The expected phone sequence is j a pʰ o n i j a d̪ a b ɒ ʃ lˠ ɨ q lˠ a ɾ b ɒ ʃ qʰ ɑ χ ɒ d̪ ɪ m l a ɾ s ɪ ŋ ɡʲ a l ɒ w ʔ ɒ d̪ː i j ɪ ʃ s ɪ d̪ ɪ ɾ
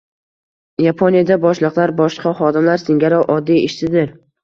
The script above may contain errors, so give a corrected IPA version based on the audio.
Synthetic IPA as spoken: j a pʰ o n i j a d̪ a b ɒ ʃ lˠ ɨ q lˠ a ɾ b ɒ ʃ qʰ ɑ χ ɒ d̪ ɪ m l a ɾ s ɪ ŋ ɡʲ a ɾ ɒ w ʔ ɒ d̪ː i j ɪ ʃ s ɪ d̪ ɪ ɾ